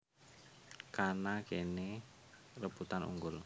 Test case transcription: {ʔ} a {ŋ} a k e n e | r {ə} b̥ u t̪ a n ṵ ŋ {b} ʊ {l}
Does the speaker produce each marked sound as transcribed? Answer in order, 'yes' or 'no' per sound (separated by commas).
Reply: no, no, yes, no, yes